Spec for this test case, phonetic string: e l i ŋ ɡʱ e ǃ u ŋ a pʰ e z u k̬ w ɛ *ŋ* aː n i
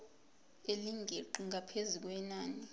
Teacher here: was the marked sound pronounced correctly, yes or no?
no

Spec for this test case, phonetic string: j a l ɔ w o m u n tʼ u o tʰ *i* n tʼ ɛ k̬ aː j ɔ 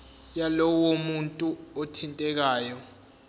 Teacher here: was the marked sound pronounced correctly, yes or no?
yes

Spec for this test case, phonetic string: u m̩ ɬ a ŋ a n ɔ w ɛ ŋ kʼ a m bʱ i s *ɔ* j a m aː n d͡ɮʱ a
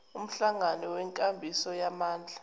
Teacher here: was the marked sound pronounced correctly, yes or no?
yes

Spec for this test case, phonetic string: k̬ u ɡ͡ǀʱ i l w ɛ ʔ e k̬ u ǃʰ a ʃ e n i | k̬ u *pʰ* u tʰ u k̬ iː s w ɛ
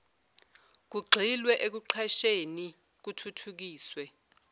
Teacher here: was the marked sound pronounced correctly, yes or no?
no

